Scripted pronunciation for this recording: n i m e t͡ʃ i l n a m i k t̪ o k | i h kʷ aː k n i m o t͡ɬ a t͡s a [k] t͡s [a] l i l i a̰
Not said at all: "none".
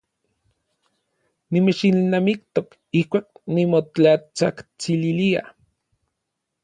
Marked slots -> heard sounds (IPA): k, i

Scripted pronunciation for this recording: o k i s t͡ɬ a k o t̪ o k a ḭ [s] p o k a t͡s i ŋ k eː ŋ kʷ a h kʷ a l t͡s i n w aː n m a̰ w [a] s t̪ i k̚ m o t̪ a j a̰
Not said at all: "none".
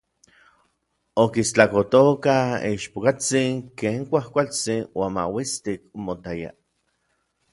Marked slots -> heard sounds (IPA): ʃ, i

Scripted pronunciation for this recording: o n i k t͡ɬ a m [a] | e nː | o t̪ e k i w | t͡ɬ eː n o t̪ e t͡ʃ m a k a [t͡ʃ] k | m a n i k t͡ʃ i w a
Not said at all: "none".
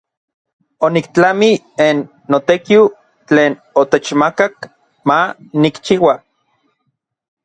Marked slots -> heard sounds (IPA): i, none

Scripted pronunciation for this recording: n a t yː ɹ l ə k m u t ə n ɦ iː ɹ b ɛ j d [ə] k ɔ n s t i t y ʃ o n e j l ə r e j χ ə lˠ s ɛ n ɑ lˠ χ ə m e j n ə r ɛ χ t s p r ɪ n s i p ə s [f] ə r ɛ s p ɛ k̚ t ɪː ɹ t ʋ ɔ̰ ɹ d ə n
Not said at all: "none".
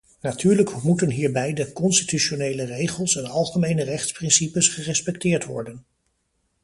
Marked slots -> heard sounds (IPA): ə, χ

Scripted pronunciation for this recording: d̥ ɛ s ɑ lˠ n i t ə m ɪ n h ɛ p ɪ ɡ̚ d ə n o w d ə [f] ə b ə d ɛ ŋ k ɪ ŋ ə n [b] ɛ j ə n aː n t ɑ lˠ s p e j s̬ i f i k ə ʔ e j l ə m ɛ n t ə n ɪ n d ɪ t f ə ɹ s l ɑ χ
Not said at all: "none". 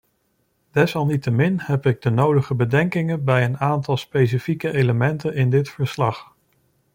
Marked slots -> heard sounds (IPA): χ, b

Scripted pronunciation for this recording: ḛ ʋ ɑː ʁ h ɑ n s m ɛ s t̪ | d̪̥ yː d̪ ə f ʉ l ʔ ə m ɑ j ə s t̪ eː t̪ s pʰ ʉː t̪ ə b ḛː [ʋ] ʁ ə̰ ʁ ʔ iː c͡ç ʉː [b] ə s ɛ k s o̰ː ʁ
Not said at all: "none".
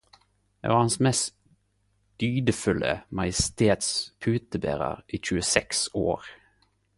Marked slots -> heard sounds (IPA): none, none

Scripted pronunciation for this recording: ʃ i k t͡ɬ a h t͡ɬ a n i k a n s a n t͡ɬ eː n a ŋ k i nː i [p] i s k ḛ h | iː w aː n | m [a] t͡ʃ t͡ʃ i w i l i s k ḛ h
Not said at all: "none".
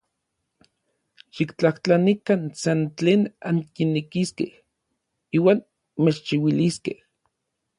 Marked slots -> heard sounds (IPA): k, e

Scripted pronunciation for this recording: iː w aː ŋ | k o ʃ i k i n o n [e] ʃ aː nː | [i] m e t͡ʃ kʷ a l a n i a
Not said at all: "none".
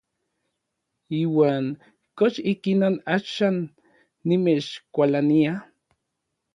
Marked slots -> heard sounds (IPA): a, i

